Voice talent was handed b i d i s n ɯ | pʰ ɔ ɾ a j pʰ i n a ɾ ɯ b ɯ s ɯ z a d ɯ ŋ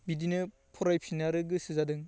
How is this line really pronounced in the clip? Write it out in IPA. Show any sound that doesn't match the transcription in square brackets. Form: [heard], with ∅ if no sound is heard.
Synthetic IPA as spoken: b i d i [∅] n ɯ | pʰ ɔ ɾ a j pʰ i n a ɾ ɯ [ɡ] ɯ s ɯ z a d ɯ ŋ